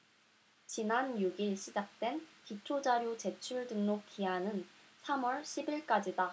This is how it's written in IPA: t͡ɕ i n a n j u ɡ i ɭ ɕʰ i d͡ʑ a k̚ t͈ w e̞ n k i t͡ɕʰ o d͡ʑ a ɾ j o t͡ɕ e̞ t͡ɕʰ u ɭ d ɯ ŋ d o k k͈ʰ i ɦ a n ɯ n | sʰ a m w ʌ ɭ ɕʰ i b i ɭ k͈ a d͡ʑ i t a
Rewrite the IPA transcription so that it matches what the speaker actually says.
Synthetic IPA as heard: t͡ɕ i n a n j u ɡ i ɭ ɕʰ i d͡ʑ a k̚ t͈ w e̞ n k i t͡ɕʰ o d͡ʑ a ɾ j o t͡ɕ e̞ t͡ɕʰ u ɭ d ɯ ŋ n o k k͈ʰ i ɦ a n ɯ n | sʰ a m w ʌ ɭ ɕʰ i b i ɭ k͈ a d͡ʑ i d a